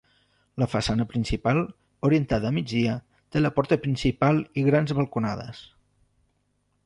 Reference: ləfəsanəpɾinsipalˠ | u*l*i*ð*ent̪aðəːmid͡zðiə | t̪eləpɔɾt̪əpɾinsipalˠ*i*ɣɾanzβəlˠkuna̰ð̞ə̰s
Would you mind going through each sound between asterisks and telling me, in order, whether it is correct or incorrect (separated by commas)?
incorrect, incorrect, correct